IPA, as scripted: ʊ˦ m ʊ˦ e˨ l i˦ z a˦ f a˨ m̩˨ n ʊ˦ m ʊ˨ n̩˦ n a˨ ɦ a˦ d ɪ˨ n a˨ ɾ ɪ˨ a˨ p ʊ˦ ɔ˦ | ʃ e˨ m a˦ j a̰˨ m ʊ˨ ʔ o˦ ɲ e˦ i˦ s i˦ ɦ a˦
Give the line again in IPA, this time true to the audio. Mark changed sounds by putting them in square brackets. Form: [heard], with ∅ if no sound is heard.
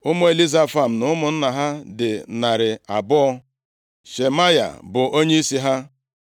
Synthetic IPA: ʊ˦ m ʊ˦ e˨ l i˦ z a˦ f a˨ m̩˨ n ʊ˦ m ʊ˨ n̩˦ n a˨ ɦ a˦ d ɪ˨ n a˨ ɾ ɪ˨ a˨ [b] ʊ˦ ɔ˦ | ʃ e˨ m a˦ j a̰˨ [b] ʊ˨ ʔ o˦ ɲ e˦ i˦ s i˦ ɦ a˦